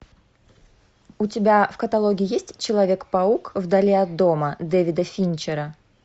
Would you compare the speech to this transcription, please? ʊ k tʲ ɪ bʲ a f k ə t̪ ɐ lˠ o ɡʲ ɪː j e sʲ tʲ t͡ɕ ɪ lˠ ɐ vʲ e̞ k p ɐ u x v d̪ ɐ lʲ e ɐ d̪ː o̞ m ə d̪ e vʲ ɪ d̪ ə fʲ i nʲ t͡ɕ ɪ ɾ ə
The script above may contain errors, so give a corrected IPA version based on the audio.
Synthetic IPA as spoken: ʊ tʲ ɪ bʲ a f k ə t̪ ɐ lˠ o ɡʲ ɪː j e sʲ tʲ t͡ɕ ɪ lˠ ɐ vʲ e̞ k p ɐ u k v d̪ ɐ lʲ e ɐ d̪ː o̞ m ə d̪ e vʲ ɪ d̪ ə fʲ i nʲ t͡ɕ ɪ ɾ ə